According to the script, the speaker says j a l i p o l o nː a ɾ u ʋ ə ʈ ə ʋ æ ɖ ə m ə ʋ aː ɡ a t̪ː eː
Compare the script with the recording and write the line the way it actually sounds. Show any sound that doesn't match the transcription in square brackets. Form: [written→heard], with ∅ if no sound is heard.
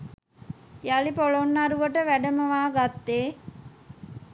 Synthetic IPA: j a l i p o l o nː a ɾ u ʋ ə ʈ ə ʋ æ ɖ ə m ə ʋ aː ɡ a t̪ː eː